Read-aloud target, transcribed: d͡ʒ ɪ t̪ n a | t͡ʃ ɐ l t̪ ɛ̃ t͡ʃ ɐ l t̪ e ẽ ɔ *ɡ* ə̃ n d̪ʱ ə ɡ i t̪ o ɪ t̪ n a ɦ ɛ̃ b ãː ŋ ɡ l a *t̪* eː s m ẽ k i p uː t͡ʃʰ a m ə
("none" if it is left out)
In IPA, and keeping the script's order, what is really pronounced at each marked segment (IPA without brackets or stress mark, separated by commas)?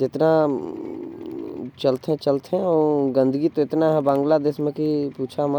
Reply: ɡ, d̪